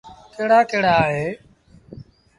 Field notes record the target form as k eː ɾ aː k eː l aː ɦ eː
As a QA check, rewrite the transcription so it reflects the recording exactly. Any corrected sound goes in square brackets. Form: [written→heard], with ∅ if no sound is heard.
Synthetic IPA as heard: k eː [ɾ→ɽ] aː k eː [l→ɽ] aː ɦ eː